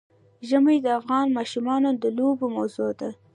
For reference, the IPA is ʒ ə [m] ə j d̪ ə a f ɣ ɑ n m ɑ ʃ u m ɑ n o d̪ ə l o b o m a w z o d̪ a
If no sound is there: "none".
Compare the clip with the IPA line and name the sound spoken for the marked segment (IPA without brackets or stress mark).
m